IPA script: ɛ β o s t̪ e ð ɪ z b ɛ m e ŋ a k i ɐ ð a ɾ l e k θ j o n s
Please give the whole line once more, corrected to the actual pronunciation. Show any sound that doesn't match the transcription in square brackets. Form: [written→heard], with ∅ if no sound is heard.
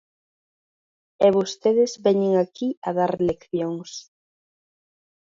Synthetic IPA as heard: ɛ β o s t̪ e ð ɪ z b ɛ [m→ɲ] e ŋ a k i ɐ ð a ɾ l e k θ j o [n→ŋ] s